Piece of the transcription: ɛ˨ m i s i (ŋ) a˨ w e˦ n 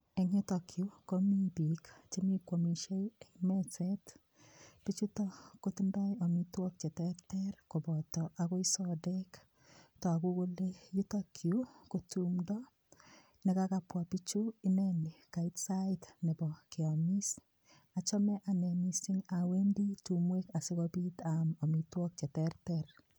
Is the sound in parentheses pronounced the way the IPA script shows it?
yes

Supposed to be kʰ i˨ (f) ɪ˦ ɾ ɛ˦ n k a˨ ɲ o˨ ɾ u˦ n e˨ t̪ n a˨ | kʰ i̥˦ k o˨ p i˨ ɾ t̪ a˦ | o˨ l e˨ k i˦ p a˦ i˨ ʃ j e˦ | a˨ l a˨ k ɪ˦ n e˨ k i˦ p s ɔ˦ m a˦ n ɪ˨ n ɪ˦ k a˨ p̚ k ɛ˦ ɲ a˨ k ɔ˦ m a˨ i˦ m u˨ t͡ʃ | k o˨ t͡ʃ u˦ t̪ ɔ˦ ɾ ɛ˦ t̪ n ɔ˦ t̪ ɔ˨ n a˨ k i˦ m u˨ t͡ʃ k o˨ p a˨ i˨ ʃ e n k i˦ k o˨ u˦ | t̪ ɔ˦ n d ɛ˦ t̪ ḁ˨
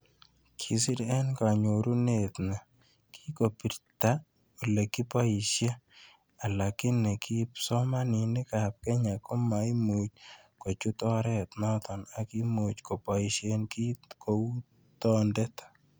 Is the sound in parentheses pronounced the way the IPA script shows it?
no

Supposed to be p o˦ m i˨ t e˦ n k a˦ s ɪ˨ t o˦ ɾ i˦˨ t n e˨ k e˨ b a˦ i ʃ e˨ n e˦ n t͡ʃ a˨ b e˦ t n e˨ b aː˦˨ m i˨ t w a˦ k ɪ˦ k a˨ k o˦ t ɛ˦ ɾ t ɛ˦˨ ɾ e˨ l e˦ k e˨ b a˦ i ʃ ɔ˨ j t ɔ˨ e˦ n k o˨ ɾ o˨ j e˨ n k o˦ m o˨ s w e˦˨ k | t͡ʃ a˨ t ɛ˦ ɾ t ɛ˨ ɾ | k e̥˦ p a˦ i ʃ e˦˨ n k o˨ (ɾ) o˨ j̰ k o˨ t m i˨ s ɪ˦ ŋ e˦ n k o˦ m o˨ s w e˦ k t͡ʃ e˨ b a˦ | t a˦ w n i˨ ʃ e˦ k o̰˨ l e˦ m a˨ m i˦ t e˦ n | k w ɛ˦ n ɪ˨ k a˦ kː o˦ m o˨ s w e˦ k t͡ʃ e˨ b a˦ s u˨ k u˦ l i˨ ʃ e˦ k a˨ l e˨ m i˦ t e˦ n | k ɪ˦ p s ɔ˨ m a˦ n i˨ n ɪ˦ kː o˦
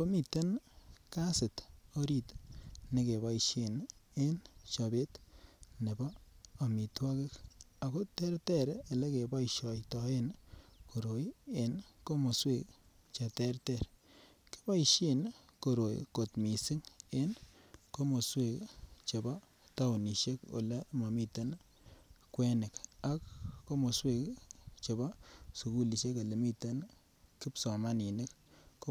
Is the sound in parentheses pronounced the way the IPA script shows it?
yes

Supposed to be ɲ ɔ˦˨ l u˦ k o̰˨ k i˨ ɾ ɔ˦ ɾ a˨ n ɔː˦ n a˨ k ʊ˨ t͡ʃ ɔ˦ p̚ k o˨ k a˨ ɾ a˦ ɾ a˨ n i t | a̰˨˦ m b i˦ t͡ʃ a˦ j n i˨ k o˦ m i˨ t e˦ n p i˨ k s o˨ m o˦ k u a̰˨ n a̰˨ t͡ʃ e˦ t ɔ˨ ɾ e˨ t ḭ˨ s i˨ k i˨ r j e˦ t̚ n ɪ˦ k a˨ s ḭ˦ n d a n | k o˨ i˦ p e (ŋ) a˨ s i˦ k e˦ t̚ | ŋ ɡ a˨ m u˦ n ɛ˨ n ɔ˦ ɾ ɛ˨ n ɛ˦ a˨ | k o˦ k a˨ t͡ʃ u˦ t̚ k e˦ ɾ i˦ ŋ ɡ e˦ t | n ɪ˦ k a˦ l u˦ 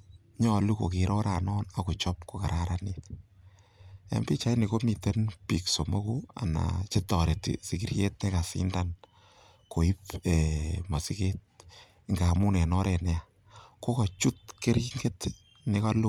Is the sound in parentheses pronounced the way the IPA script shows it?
no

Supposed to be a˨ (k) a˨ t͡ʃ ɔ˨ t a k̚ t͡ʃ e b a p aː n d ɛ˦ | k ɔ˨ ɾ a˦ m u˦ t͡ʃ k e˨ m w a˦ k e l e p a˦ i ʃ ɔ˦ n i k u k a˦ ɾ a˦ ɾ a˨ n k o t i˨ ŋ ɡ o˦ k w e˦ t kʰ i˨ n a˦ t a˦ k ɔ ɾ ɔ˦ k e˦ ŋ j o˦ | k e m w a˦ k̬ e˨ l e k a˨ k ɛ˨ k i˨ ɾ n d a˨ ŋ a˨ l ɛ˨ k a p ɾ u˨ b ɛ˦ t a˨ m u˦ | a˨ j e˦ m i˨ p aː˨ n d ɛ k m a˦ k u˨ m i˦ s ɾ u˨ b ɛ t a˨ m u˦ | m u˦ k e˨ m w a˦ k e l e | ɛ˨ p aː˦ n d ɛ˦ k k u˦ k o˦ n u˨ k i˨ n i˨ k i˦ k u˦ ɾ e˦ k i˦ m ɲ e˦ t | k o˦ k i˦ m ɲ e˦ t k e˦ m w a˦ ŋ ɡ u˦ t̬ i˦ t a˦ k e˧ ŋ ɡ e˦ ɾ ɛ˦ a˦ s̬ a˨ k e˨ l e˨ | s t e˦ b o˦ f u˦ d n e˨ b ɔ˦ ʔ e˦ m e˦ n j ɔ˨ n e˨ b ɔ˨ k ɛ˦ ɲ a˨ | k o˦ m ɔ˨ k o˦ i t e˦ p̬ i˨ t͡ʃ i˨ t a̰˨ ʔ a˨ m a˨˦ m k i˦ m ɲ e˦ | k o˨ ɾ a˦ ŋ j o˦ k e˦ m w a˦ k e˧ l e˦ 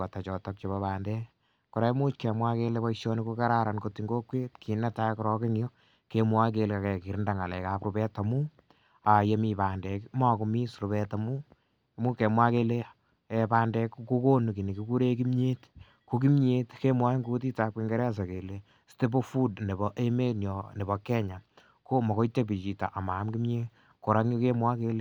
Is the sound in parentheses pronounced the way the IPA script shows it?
no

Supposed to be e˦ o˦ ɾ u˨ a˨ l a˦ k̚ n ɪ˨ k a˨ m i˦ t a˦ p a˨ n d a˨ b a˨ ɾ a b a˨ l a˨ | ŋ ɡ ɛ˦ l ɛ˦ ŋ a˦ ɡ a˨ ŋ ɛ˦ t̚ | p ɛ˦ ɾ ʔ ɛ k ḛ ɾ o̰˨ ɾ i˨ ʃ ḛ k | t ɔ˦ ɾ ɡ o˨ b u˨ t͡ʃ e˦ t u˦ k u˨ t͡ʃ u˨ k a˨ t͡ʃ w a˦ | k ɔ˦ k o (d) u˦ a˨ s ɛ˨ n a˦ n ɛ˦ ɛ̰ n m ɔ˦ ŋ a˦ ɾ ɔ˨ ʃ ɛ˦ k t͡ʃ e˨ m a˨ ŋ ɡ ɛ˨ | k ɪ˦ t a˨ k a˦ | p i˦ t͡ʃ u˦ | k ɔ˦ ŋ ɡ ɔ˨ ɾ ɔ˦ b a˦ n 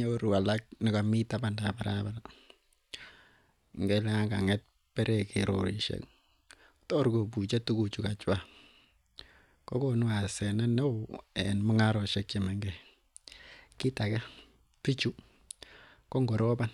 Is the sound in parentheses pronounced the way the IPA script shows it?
no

